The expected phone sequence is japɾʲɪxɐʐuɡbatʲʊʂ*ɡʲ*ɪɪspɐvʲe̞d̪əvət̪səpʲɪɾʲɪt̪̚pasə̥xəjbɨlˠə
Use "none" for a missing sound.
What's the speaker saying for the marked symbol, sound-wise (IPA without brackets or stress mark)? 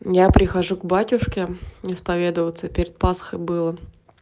kʲ